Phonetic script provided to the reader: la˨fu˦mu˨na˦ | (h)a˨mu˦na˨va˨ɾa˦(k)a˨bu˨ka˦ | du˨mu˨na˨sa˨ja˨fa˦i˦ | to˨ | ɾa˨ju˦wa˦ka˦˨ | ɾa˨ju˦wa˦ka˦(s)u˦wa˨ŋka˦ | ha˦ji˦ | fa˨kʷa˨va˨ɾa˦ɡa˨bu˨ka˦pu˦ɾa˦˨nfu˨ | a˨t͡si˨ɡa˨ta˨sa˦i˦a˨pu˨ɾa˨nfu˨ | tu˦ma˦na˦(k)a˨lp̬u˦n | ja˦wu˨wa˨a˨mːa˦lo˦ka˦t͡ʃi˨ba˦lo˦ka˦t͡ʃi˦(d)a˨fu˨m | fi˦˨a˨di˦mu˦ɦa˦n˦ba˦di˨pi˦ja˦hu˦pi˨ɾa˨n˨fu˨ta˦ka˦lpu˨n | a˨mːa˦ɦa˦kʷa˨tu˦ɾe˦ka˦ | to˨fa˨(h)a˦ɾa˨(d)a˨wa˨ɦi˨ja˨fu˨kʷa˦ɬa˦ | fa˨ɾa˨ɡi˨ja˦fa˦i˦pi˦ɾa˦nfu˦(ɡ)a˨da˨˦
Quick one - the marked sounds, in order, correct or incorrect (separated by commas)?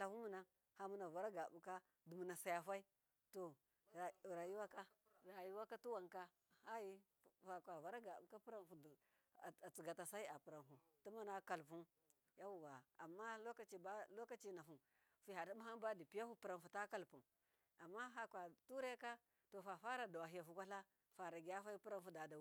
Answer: correct, incorrect, incorrect, correct, incorrect, incorrect, correct, incorrect